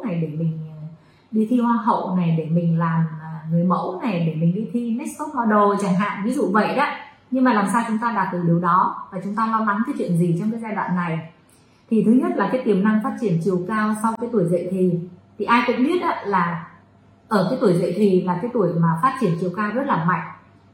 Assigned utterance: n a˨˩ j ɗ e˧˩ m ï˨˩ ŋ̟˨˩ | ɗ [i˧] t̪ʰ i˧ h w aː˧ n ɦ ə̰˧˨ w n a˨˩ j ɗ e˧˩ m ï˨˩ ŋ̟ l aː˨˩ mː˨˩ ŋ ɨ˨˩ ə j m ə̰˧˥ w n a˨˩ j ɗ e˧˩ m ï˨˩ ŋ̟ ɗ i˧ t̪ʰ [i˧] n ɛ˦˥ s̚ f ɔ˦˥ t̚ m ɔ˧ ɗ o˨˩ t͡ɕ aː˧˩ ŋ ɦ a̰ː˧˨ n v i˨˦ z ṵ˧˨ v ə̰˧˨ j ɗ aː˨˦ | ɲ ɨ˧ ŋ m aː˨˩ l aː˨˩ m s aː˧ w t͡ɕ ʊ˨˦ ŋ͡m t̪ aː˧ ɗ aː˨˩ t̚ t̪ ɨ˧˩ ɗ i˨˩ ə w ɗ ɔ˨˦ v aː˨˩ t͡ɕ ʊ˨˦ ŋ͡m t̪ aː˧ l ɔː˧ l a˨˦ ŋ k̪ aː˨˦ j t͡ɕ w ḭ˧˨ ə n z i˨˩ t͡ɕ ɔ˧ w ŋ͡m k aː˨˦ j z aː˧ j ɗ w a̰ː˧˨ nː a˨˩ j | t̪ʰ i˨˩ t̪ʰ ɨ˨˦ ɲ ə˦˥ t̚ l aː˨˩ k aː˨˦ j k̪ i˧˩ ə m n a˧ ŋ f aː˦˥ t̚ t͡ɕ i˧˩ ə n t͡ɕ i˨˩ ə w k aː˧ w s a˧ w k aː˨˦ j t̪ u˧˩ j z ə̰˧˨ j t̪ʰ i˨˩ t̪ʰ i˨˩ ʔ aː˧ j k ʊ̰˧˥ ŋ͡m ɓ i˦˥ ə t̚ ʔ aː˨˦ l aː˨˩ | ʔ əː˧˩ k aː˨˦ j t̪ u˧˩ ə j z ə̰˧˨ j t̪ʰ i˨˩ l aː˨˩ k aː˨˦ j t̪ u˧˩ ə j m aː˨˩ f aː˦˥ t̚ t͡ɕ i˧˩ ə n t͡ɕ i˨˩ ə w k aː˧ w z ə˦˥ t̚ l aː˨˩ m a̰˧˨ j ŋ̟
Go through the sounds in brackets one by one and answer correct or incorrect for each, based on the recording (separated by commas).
correct, correct